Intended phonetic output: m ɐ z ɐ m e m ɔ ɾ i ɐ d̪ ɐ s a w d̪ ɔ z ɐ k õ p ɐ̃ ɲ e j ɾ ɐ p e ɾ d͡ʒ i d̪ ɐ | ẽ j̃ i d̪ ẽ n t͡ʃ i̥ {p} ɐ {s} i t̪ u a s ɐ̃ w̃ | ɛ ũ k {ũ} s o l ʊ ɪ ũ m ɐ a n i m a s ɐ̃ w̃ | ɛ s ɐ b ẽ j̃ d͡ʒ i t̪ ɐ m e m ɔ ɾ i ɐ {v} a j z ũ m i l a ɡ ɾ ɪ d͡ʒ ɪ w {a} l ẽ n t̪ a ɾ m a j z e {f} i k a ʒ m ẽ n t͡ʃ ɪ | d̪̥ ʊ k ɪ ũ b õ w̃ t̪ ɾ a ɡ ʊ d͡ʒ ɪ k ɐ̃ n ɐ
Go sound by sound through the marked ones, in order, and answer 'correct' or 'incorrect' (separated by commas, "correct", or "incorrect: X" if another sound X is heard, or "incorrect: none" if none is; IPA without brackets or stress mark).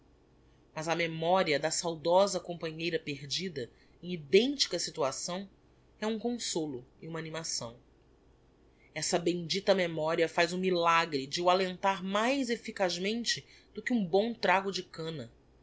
incorrect: k, correct, incorrect: õ, incorrect: f, correct, correct